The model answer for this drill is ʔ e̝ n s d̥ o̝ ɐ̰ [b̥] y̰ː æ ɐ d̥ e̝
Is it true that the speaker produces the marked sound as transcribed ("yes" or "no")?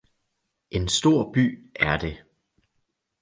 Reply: yes